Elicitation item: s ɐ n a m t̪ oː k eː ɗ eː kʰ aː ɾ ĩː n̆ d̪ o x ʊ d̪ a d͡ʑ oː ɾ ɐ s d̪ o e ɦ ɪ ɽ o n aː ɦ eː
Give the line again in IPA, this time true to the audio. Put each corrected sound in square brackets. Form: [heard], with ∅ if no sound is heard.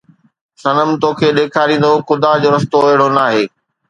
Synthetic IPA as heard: s ɐ n [ə] m t̪ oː [kʰ] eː ɗ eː kʰ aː ɾ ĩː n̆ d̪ o x ʊ d̪ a d͡ʑ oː ɾ ɐ s [t̪] o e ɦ ɪ ɽ o n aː ɦ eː